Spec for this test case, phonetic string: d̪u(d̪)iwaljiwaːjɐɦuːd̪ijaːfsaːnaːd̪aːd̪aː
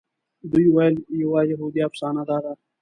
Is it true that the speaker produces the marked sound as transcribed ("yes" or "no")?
no